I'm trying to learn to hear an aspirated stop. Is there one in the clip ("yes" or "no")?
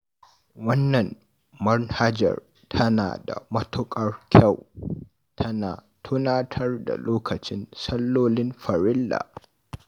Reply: yes